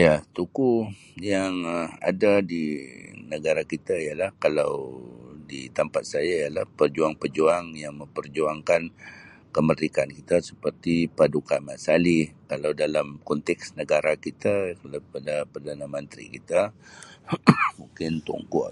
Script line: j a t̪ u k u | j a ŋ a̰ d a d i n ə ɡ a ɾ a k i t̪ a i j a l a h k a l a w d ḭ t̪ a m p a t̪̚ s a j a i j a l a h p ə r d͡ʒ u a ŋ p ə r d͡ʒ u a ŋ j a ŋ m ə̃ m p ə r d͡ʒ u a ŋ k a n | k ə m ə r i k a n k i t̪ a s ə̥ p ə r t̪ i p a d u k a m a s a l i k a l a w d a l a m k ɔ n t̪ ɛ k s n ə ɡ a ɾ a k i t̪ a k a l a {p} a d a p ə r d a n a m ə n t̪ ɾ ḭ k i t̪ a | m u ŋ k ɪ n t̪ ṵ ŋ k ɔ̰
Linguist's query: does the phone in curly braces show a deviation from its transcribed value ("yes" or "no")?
no